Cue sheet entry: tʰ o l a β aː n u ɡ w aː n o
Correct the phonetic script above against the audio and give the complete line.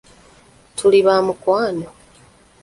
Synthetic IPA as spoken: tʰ u l i β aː m u k w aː n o